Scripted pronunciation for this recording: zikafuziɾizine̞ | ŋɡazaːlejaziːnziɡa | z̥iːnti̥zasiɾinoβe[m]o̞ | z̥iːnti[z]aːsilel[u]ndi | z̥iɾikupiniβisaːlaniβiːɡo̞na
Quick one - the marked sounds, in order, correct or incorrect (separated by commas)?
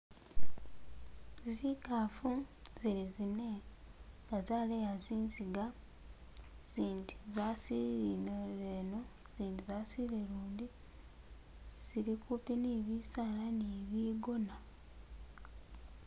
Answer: incorrect, correct, incorrect